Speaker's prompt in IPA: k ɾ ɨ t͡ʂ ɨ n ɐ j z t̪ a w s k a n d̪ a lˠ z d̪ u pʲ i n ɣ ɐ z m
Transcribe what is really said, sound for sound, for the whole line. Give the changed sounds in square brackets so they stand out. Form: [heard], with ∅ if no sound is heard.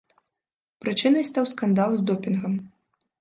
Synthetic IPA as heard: [p] ɾ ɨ t͡ʂ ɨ n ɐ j [s] t̪ a w s k a n d̪ a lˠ z d̪ [ɔ] pʲ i n ɣ ɐ [∅] m